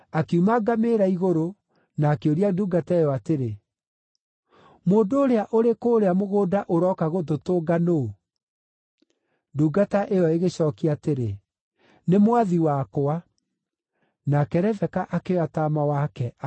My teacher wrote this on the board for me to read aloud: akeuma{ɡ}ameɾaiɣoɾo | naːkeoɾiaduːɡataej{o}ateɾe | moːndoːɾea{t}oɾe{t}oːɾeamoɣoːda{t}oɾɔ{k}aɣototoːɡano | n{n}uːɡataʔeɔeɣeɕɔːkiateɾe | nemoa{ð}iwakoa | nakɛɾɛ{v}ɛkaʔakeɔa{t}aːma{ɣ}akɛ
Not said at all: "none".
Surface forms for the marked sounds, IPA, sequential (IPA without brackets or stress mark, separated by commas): ɡ, ɔ, ʔ, k, ʔ, k, d, ð, v, t, w